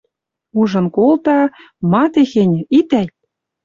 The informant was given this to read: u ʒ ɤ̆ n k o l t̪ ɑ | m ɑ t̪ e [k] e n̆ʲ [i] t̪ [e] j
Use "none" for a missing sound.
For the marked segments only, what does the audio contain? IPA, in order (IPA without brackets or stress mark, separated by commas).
x, i, æ